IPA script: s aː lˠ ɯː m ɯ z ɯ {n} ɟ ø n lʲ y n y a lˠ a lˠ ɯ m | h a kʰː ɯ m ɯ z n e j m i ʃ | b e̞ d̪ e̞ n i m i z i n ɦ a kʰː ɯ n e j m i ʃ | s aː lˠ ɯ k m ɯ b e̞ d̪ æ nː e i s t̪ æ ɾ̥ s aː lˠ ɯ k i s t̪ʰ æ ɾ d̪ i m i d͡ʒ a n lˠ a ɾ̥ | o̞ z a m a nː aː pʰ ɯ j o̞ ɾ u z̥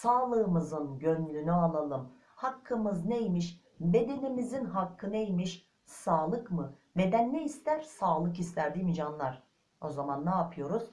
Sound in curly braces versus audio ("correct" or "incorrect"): correct